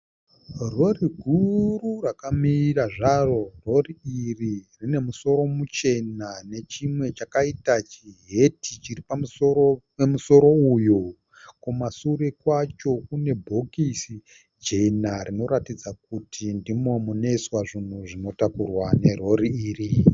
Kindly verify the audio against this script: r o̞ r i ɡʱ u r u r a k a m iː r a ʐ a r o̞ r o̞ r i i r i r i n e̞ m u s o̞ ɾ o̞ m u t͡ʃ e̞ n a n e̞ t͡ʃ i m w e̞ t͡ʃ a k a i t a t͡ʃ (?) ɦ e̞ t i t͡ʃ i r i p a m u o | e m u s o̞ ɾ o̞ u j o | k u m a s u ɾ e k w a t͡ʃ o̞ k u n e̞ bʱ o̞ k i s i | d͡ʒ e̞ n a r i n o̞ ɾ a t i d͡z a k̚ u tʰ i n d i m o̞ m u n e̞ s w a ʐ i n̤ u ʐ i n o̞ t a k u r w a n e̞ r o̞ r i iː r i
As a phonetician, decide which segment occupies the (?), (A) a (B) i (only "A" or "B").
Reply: B